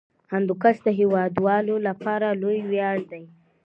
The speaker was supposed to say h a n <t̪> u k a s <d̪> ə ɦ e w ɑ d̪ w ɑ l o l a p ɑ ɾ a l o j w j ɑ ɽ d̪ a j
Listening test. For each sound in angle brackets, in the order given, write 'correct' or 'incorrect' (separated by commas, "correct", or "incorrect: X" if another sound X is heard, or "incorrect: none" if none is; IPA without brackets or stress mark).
incorrect: d̪, correct